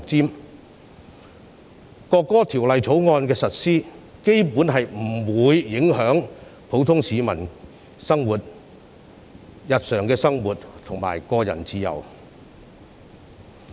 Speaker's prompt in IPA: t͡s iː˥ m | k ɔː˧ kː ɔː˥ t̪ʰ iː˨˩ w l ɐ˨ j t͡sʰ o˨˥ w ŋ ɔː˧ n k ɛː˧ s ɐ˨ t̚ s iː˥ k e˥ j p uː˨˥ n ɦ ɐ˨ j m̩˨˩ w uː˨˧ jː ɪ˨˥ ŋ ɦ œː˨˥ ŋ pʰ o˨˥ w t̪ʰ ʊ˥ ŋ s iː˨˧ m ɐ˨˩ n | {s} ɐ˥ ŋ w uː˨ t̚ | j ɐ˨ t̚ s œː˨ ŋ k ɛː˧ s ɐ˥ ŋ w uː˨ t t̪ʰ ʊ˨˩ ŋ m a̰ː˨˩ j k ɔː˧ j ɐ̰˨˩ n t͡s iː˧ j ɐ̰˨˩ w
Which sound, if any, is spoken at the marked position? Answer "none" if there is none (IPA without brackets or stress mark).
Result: s